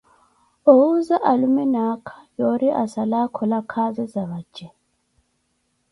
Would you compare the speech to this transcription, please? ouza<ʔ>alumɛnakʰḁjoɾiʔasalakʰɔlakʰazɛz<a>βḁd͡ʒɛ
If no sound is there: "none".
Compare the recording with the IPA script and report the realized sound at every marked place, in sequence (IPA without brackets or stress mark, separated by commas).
ʔ, a